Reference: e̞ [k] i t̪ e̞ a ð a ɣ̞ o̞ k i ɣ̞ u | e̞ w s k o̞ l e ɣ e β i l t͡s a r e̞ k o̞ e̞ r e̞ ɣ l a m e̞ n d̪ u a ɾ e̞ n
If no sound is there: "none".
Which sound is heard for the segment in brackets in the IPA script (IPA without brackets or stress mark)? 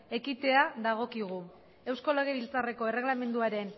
k